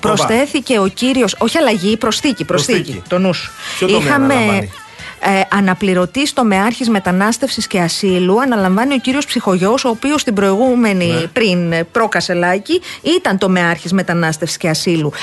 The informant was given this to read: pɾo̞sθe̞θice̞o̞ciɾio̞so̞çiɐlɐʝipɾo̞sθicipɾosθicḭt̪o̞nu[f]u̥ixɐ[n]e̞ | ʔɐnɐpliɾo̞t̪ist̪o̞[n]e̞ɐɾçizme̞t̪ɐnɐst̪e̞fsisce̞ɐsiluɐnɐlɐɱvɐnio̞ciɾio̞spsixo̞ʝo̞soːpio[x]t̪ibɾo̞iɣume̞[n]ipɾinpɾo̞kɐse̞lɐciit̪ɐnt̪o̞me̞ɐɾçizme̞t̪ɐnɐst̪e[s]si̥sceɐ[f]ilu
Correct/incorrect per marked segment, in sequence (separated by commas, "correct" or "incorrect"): incorrect, incorrect, incorrect, incorrect, correct, incorrect, incorrect